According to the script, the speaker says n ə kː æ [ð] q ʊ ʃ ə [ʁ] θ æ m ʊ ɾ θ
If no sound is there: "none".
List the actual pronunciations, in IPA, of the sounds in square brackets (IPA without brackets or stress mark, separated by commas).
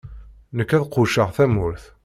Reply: ð, ʁ